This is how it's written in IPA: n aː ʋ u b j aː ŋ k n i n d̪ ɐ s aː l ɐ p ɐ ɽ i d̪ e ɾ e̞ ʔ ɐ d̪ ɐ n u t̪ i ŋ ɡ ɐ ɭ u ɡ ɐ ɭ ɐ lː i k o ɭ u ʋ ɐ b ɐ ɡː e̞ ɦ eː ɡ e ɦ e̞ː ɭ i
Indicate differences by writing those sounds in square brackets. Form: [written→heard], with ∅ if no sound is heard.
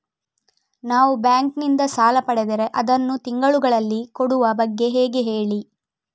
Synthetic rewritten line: n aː ʋ u b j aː ŋ k n i n d̪ ɐ s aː l ɐ p ɐ ɽ [i→e] d̪ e ɾ e̞ ʔ ɐ d̪ ɐ [n→nː] u t̪ i ŋ ɡ ɐ ɭ u ɡ ɐ ɭ ɐ lː i k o [ɭ→ɽ] u ʋ ɐ b ɐ ɡː e̞ ɦ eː ɡ e ɦ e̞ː ɭ i